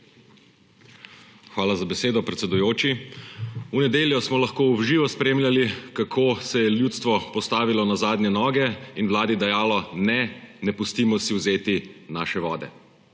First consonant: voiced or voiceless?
voiceless